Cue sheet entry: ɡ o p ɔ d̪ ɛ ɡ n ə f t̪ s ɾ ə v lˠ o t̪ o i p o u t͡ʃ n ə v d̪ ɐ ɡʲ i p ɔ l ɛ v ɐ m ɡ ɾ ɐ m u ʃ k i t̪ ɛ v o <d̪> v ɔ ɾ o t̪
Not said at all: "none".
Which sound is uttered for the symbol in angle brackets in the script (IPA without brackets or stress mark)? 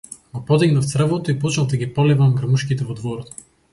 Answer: d̪